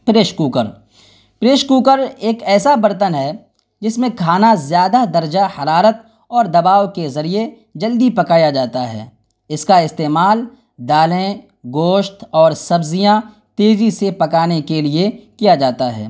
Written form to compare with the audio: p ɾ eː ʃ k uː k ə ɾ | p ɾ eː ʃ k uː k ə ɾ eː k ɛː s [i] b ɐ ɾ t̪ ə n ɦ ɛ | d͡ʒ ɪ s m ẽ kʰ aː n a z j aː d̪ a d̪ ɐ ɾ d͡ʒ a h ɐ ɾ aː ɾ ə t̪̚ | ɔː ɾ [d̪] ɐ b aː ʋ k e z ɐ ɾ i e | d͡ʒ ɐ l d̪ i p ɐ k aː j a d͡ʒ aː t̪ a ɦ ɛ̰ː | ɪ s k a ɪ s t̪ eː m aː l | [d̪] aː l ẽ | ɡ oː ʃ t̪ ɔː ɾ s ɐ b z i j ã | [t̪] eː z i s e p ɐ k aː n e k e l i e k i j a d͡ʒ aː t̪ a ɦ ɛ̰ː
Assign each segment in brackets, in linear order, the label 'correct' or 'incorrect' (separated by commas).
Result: incorrect, correct, correct, correct